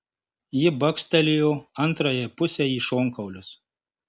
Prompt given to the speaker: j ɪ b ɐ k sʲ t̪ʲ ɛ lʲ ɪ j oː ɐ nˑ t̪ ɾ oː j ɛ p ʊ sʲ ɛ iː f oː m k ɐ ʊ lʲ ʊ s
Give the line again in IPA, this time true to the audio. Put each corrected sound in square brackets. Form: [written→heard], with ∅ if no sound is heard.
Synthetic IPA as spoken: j ɪ b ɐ k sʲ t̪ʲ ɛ lʲ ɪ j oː ɐ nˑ t̪ ɾ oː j ɛ p ʊ sʲ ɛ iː [f→ʃ] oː [m→ŋ] k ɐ ʊ lʲ ʊ s